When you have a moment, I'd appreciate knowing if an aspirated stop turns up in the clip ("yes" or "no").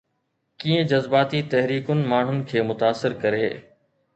yes